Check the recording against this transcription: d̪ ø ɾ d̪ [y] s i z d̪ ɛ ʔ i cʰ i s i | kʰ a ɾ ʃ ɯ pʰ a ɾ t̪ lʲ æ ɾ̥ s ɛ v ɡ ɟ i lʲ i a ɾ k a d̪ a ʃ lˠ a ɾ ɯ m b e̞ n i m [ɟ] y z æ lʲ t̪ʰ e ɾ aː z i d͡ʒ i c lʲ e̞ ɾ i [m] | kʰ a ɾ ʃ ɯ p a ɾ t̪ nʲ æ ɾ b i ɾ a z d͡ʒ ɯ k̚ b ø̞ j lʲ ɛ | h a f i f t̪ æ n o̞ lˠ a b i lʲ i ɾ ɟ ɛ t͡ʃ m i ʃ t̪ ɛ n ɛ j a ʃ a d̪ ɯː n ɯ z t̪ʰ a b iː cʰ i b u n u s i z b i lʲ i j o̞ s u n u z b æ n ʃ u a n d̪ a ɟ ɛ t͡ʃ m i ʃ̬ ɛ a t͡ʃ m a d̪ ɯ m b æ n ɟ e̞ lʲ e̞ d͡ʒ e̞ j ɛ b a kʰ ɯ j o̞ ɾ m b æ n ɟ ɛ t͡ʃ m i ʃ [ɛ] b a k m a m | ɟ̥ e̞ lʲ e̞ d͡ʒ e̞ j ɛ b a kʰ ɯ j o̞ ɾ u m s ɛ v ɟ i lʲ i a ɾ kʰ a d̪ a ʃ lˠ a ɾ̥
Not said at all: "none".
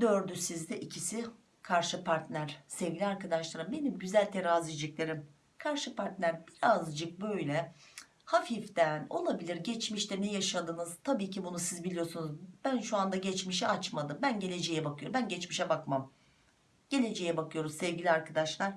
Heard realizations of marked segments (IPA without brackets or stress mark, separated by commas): y, ɟ, m, ɛ